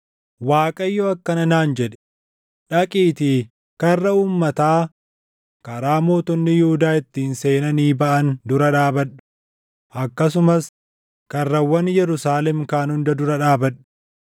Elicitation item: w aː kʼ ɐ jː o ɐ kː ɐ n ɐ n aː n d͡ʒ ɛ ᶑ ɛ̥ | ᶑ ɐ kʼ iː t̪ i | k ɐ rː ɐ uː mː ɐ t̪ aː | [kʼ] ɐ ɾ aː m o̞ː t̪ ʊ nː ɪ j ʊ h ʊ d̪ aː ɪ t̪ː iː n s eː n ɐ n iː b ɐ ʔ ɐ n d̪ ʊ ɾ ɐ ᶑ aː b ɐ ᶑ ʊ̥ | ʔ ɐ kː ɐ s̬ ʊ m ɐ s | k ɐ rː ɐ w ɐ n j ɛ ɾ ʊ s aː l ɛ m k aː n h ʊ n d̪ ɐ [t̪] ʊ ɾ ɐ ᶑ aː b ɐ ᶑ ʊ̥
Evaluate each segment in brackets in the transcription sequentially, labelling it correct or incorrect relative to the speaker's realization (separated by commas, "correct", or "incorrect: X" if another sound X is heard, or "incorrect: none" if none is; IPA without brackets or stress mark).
incorrect: k, incorrect: d̪